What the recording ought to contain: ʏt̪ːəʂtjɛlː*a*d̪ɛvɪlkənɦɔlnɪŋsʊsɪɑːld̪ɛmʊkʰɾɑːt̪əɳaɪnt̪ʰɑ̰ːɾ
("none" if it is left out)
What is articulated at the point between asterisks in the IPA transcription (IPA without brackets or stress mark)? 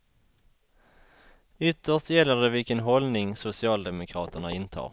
ə